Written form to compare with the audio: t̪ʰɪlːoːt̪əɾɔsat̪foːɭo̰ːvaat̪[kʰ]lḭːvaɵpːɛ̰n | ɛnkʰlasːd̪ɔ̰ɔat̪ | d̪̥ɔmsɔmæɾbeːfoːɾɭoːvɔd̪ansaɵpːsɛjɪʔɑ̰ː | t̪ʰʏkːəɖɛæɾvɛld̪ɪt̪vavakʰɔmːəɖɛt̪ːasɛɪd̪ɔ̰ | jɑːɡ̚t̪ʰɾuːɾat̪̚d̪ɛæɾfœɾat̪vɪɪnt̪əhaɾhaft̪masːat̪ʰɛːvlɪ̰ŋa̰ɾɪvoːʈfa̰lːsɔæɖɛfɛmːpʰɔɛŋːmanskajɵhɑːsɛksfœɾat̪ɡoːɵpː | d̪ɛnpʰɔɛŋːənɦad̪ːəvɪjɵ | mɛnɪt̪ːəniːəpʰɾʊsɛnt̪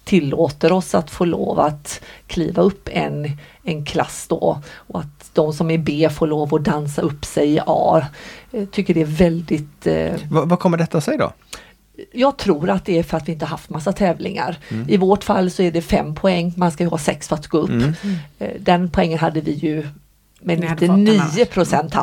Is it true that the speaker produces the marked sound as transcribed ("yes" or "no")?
yes